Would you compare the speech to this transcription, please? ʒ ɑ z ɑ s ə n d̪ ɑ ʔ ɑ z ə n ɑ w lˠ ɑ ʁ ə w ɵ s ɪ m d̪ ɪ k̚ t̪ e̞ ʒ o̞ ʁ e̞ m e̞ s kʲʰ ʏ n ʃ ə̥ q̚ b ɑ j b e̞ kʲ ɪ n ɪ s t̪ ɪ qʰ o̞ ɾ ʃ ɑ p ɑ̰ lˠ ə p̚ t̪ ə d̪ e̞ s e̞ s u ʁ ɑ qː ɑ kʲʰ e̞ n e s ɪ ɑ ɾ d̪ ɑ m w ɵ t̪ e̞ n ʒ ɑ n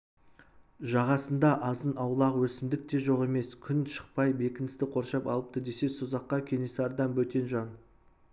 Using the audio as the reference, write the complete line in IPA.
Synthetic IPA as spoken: ʒ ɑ ʁ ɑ s ə n d̪ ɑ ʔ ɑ z ə n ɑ w lˠ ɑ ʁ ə w ɵ s ɪ m d̪ ɪ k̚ t̪ e̞ ʒ o̞ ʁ e̞ m e̞ s kʲʰ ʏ n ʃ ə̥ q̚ p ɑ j b e̞ kʲ ɪ n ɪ s t̪ ɪ qʰ o̞ ɾ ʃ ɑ p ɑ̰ lˠ ə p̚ t̪ ə d̪ e̞ s e̞ s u z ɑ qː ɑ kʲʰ e̞ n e s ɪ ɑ ɾ d̪ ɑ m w ɵ t̪ e̞ n ʒ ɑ n